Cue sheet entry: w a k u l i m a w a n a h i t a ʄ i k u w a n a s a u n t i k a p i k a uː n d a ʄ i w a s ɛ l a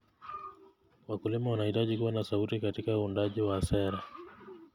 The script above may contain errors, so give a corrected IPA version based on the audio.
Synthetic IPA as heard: w a k u l i m a w a n a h i t a ʄ i k u w a n a s a u t i k a t i k a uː n d a ʄ i w a s ɛ ɾ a